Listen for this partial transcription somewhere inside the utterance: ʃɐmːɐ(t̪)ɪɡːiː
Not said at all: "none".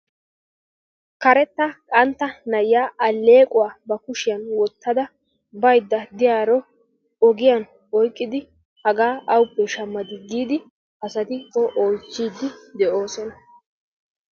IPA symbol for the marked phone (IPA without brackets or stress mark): d̪